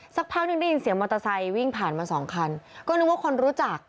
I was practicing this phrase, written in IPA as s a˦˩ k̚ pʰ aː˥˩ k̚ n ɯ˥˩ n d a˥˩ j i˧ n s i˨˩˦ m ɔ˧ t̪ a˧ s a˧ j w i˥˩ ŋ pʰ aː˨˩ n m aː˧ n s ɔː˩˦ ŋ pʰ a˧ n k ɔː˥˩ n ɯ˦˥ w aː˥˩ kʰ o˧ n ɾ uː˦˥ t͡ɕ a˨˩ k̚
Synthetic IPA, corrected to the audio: s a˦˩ k̚ pʰ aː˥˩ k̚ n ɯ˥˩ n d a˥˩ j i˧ n s i˨˩˦ m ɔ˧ t̪ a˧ s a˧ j w i˥˩ ŋ pʰ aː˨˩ n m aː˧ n s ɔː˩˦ ŋ kʰ a˧ n k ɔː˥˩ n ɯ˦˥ w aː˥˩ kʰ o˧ n ɾ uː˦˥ t͡ɕ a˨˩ k̚